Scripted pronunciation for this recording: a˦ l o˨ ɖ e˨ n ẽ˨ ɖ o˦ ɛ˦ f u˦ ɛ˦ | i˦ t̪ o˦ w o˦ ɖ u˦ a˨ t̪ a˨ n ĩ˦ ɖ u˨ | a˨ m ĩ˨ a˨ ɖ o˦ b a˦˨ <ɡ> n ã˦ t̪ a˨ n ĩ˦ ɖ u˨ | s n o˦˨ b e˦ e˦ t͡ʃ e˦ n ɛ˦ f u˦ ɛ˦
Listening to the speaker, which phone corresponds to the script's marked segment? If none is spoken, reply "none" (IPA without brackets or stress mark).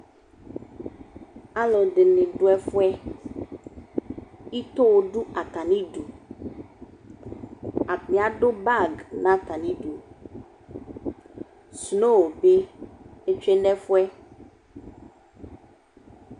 ɡ